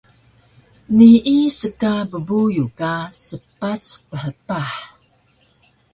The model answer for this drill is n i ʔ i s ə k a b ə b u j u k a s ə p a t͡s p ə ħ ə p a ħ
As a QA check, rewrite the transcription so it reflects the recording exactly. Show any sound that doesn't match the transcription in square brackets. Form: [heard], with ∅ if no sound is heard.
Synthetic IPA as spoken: n i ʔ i s ə k a b ə b u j u k a s ə p a t͡s p ə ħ ə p a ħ